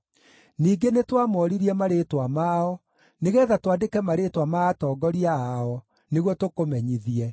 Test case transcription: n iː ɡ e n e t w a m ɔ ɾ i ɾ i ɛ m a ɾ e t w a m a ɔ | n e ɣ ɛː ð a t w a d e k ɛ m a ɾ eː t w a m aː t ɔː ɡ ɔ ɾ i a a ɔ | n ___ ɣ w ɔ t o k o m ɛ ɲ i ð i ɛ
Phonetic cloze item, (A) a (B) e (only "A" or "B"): B